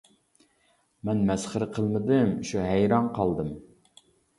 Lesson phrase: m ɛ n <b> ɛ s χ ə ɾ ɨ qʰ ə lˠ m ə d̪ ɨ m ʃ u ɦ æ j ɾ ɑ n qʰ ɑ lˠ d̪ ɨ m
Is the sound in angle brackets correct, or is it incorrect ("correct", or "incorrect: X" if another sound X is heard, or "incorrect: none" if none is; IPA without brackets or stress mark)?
incorrect: m